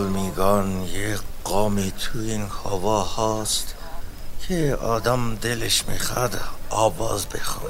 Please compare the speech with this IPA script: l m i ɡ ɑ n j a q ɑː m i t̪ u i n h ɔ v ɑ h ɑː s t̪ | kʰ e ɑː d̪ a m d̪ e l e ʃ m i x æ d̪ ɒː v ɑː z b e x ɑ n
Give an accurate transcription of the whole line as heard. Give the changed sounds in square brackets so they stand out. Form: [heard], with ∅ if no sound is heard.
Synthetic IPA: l m i ɡ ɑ n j [e] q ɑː m i [t̪ʰ] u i n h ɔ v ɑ h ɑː s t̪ | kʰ e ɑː d̪ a m d̪ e l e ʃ m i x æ d̪ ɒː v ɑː z b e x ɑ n